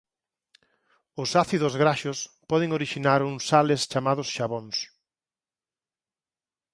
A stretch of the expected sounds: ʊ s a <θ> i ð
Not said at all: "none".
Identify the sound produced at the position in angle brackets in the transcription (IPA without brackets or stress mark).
θ